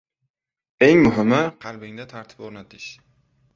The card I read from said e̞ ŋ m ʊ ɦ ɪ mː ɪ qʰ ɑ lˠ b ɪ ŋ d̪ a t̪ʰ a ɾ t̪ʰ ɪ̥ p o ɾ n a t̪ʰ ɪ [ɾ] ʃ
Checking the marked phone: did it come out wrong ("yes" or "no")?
yes